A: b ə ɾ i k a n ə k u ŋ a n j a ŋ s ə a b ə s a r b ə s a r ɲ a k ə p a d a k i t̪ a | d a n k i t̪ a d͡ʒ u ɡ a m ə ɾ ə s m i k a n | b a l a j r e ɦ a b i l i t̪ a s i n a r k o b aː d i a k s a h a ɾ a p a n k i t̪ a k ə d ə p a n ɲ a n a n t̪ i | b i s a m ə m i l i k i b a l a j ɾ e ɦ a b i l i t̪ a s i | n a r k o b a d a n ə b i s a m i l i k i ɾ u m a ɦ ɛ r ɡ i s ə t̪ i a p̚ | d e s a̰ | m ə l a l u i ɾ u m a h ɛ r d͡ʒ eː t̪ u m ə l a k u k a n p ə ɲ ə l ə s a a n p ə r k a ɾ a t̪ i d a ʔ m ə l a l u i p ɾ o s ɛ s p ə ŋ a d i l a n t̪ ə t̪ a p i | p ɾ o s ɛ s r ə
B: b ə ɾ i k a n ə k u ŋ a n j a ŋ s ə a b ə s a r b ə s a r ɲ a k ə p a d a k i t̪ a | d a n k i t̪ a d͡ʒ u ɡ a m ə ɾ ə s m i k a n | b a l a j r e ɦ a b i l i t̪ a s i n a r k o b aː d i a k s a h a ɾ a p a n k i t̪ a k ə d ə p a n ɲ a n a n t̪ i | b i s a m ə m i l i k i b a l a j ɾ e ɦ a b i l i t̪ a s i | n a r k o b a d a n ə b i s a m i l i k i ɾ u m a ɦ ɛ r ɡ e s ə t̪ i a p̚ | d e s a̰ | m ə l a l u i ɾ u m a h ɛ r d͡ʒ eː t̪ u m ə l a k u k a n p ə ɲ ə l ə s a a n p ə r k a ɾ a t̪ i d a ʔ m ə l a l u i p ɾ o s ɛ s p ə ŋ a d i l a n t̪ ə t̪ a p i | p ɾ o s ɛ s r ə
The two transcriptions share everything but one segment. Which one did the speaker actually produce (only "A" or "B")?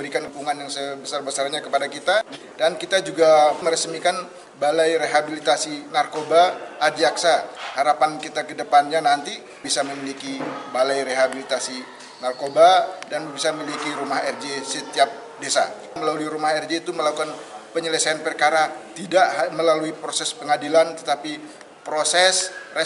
B